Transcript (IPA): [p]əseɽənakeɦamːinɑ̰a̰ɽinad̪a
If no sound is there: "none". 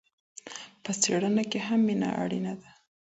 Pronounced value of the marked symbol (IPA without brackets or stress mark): p